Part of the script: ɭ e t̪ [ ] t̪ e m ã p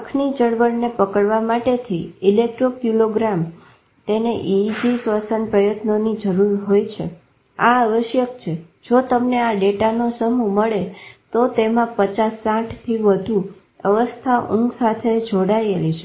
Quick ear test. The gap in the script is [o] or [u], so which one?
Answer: o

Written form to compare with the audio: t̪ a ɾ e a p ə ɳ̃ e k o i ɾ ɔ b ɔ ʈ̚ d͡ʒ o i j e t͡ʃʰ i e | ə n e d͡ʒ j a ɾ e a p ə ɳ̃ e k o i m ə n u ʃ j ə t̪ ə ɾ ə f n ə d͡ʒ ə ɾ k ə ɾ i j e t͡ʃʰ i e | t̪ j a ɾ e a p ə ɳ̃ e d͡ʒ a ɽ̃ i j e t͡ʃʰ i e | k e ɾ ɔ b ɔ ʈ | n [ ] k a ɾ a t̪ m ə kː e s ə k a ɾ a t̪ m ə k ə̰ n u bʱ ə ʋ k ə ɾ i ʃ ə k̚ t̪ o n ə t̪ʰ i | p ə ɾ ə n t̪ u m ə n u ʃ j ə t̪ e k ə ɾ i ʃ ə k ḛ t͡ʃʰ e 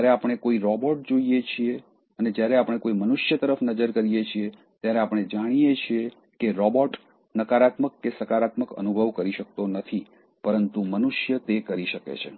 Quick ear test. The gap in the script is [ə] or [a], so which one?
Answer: ə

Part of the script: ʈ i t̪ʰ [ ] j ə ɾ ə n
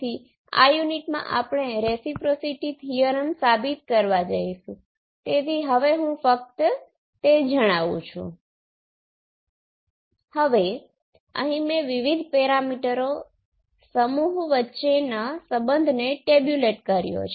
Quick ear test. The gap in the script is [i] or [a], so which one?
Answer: i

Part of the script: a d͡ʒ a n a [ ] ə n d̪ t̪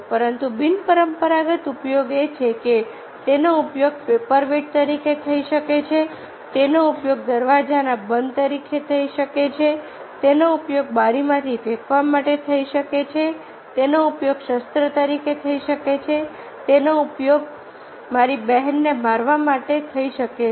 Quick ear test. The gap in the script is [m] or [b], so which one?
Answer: b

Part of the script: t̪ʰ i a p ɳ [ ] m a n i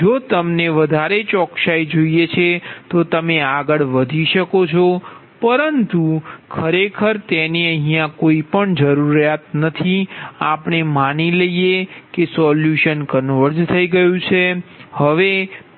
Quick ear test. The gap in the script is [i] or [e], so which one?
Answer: e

